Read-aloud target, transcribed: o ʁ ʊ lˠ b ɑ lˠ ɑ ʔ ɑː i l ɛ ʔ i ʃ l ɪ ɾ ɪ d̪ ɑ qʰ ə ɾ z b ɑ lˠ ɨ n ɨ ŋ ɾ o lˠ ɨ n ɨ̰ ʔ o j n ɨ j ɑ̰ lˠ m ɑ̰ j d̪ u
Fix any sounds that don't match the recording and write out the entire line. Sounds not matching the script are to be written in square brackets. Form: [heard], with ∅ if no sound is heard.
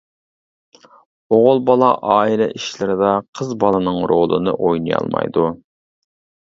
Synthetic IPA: o ʁ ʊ lˠ b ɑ lˠ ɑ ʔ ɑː i l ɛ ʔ i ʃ l ɪ ɾ ɪ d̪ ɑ qʰ ə [∅] z b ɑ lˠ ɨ n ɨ ŋ ɾ o lˠ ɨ n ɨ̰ ʔ o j n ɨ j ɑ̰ lˠ m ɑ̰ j d̪ u